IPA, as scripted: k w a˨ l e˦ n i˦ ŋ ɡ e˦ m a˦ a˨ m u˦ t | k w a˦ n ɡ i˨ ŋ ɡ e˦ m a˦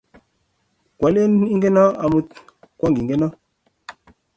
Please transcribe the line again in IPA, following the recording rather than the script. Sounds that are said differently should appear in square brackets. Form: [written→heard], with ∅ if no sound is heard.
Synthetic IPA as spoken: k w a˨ l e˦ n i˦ ŋ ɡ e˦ [m→n] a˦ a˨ m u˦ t | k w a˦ [n→ŋ] ɡ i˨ ŋ ɡ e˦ [m→n] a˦